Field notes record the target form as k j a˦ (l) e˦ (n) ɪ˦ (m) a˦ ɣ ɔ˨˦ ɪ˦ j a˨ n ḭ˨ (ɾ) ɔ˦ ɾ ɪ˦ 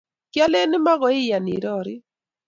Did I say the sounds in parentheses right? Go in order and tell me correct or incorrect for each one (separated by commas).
correct, correct, correct, correct